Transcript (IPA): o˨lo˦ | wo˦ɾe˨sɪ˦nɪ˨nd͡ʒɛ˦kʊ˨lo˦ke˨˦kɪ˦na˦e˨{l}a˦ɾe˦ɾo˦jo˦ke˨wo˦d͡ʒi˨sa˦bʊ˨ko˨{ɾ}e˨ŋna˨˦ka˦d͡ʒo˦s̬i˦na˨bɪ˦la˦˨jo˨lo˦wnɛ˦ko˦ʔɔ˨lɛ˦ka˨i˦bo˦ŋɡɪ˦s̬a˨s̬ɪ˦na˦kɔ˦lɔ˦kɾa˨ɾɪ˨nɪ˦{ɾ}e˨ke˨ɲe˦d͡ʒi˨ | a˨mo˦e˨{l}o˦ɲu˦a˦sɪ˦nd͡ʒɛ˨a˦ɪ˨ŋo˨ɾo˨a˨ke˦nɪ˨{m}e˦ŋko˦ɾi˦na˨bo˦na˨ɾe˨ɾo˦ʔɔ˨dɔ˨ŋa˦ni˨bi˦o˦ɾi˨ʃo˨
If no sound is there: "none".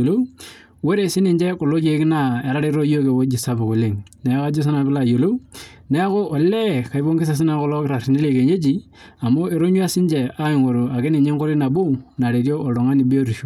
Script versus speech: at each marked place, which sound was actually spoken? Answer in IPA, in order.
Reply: ɾ, l, l, ɾ, ɲ

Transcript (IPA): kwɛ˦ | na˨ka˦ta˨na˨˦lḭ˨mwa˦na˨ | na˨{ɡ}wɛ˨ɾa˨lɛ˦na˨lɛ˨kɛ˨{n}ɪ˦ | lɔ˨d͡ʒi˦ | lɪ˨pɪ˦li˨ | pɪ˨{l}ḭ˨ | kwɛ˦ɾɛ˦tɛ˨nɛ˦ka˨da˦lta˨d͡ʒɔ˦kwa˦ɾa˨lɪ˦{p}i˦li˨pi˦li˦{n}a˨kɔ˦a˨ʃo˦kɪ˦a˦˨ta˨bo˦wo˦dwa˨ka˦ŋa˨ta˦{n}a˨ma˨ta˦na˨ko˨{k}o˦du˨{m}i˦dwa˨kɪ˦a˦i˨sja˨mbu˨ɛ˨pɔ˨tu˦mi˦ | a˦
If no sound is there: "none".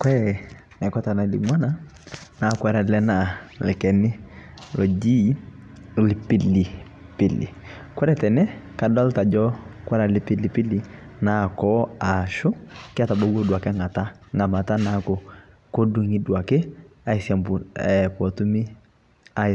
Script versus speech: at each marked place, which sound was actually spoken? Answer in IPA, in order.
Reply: k, n, l, p, n, ŋ, k, ŋ

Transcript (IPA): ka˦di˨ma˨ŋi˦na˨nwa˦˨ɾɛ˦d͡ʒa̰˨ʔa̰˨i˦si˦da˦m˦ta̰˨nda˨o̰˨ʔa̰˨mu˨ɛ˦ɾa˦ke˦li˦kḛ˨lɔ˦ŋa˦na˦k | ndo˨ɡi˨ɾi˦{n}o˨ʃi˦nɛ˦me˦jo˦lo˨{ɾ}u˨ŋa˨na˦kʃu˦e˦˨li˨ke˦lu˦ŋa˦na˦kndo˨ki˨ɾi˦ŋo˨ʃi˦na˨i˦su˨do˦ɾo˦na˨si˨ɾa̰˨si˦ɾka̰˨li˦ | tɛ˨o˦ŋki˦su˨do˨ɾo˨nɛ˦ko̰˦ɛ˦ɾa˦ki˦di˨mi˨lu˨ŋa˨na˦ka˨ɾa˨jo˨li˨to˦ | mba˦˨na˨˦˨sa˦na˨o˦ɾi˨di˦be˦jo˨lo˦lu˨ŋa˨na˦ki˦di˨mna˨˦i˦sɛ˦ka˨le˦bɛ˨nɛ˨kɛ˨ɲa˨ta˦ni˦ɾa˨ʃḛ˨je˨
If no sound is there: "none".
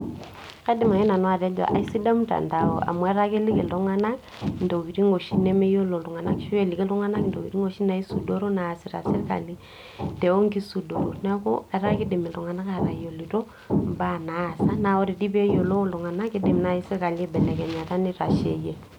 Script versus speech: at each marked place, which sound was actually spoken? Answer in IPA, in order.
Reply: ŋ, l

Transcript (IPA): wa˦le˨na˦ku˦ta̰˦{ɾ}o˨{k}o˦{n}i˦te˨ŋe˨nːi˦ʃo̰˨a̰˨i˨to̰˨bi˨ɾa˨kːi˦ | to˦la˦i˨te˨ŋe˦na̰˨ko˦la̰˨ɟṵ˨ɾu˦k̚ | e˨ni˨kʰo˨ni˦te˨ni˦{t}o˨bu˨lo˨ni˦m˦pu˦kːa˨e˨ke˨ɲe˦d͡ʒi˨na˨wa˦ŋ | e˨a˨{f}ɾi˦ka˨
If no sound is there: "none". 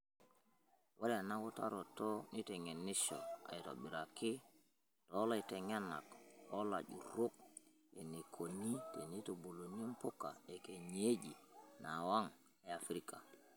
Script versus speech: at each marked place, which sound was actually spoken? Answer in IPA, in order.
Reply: ɾ, t, n, t, f

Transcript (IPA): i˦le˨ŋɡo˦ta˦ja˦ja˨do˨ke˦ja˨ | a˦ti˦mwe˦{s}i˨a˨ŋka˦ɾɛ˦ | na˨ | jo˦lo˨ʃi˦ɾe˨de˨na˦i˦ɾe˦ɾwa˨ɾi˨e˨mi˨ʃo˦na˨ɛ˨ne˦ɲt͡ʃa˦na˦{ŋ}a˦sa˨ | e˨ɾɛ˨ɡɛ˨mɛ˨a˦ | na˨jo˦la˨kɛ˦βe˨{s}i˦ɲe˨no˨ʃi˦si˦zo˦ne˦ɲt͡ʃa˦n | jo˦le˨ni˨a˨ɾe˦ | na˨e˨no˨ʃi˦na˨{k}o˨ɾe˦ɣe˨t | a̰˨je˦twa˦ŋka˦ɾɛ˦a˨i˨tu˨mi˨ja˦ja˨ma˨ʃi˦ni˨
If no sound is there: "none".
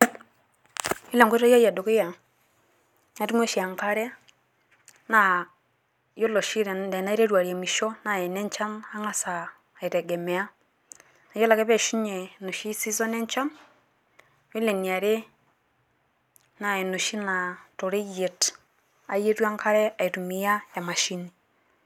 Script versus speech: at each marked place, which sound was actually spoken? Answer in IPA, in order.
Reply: ʃ, ŋ, ʃ, t

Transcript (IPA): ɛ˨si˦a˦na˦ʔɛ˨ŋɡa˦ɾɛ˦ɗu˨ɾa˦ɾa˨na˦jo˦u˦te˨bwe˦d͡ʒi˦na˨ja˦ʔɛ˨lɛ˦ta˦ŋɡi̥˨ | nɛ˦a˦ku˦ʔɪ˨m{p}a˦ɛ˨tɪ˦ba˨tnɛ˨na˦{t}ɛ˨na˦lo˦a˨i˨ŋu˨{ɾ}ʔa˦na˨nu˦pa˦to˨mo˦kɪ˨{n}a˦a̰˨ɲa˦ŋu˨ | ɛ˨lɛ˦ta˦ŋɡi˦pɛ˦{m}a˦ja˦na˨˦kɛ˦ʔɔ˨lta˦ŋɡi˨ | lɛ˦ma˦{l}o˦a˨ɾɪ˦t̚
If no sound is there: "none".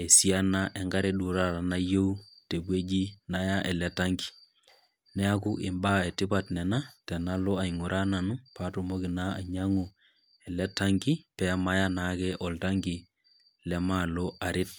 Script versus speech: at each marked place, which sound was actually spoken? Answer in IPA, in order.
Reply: b, t, ɾ, n, m, l

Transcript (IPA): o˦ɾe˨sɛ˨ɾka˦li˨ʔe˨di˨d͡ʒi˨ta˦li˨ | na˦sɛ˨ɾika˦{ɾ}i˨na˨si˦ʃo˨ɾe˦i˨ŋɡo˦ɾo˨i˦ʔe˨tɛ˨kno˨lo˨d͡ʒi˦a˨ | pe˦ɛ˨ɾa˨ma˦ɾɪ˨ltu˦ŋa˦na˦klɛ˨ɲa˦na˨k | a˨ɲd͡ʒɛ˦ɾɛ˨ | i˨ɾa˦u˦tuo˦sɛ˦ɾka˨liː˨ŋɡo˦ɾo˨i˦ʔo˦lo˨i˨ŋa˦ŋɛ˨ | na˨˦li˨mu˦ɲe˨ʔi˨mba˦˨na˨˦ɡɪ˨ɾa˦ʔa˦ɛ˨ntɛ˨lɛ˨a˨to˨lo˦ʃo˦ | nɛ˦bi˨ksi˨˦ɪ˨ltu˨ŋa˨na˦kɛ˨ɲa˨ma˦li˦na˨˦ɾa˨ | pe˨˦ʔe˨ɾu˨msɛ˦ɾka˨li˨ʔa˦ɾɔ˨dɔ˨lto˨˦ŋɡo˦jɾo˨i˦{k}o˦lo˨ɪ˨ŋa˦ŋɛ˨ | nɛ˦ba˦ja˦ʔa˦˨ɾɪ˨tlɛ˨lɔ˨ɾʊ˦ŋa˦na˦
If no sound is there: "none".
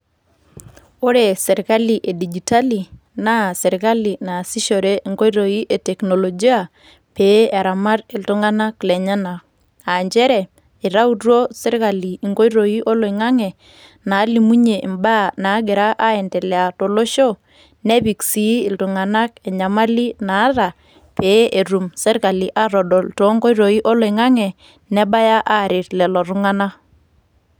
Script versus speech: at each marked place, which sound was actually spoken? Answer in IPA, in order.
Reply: l, ʔ

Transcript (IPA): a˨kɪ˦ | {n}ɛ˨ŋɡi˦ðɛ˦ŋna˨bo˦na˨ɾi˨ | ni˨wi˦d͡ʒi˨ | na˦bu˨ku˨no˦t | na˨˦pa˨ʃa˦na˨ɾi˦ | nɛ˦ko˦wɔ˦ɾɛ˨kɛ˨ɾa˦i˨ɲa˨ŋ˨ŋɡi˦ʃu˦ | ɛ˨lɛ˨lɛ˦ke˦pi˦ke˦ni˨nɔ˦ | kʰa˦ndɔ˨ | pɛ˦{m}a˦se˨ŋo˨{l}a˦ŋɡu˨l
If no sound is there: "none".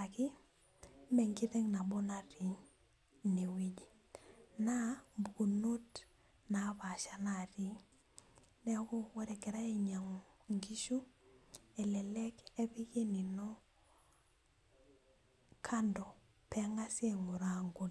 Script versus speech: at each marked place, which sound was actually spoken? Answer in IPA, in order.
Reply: m, ŋ, ɾ

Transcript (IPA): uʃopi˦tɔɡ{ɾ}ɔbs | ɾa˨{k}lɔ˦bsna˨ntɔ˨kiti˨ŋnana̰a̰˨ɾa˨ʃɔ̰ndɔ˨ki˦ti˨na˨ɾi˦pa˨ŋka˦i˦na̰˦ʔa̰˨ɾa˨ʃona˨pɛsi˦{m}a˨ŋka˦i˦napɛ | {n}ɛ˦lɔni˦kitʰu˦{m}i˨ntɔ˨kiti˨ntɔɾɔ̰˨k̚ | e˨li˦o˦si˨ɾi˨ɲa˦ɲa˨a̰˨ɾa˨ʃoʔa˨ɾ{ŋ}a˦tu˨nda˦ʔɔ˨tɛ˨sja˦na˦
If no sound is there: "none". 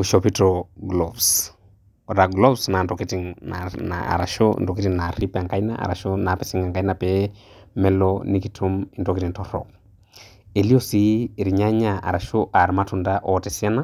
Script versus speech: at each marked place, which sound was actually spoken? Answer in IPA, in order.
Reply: l, ɡ, ŋ, m, m, m

